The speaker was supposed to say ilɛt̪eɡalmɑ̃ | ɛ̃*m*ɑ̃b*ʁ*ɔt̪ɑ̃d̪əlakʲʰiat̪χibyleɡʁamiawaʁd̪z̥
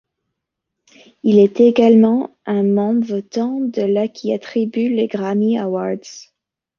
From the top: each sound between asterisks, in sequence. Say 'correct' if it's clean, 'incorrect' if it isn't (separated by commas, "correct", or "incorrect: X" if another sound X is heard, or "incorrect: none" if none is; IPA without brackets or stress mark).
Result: correct, incorrect: v